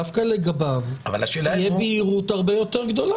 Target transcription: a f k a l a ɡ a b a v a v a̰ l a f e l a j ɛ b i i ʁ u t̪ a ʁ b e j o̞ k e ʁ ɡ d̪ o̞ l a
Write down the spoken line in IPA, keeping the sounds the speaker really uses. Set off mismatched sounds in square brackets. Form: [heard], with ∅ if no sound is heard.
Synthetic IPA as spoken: a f k a l [e] ɡ a b a v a v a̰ l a [ʃ] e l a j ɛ b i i ʁ u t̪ a ʁ b e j o̞ [t] e ʁ ɡ d̪ o̞ l a